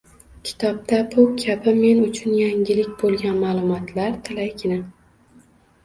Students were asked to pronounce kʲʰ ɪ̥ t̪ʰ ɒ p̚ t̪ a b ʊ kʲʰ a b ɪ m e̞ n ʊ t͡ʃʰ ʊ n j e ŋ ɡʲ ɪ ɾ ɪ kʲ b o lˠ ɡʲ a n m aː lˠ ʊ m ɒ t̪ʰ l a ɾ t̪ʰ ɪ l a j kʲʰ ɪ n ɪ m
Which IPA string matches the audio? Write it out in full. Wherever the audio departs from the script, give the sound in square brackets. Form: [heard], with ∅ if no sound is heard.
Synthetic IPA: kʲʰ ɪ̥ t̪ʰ ɒ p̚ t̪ a b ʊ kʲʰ a b ɪ m e̞ n ʊ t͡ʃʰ ʊ n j [a] ŋ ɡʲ ɪ [l] ɪ kʲ b o lˠ ɡʲ a n m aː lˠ ʊ m ɒ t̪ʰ l a ɾ t̪ʰ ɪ l a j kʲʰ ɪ n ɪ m